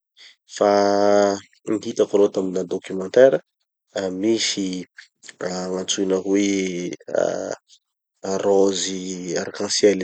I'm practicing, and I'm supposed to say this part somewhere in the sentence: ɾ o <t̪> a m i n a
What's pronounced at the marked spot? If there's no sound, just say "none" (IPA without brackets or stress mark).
t̪